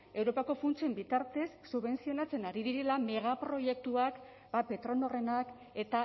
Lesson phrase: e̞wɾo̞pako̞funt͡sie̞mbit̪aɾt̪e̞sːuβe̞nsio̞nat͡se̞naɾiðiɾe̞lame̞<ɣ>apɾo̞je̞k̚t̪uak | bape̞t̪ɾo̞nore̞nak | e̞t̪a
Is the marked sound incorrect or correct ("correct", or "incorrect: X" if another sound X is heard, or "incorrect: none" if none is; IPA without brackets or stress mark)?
correct